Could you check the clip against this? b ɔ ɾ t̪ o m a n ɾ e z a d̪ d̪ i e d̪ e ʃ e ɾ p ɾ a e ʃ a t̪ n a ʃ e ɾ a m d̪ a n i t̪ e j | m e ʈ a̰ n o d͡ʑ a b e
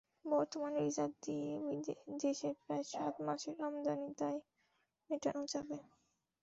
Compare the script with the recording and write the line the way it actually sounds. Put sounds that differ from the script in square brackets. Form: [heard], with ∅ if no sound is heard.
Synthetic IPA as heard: b ɔ ɾ t̪ o m a n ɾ [i] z a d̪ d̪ i e d̪ e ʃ e ɾ p ɾ a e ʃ a t̪ [m] a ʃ e ɾ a m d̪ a n i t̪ [a] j | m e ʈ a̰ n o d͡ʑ a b e